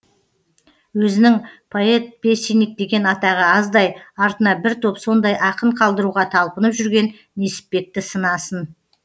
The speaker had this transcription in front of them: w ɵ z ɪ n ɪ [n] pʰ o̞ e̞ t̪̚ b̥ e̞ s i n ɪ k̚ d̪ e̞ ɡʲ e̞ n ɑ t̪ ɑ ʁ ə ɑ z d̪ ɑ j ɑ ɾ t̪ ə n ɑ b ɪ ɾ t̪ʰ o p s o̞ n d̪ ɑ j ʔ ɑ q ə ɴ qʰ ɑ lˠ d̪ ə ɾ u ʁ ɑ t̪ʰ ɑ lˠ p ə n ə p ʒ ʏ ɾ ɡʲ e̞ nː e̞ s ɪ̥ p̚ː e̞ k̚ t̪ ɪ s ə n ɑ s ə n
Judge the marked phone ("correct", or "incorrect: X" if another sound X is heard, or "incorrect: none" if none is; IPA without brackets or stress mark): incorrect: ŋ